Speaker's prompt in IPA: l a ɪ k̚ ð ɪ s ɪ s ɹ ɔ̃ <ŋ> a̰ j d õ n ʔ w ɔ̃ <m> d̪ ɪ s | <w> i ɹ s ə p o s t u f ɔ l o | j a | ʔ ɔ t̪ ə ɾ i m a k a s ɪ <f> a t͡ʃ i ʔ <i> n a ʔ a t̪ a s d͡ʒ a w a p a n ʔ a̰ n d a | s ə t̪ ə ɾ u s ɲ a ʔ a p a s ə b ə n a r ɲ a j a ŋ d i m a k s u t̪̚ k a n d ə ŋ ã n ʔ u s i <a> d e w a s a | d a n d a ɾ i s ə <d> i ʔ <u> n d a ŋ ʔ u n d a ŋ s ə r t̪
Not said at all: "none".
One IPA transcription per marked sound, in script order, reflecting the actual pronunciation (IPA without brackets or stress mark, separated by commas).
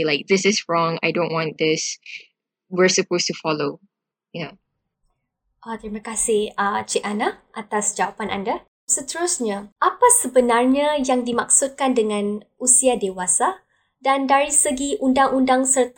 ŋ, n, w, h, a, a, ɡ, u